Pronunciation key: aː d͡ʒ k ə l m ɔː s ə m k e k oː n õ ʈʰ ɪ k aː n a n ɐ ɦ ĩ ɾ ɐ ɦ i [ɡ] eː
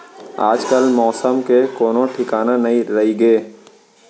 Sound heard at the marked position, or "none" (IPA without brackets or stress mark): ɡ